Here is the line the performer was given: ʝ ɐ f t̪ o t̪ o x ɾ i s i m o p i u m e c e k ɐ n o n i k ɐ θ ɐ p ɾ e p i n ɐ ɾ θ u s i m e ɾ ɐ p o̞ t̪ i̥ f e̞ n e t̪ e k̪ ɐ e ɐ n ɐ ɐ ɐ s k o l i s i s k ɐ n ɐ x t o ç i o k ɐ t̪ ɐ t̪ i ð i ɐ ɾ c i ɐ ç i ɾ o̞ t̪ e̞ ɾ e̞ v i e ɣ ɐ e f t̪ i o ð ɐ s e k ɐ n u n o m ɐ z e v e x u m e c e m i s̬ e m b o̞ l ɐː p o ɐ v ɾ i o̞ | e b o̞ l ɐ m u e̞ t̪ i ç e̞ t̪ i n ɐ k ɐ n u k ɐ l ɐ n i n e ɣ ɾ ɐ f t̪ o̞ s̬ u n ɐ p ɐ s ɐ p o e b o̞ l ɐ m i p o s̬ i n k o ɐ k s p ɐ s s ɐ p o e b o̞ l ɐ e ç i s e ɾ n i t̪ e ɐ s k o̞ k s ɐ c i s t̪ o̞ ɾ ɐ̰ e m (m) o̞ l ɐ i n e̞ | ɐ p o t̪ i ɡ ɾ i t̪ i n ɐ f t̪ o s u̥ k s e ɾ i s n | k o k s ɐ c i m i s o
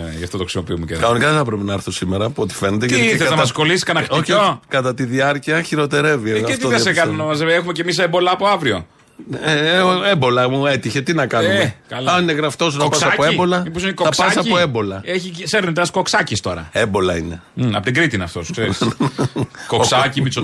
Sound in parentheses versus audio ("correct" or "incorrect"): incorrect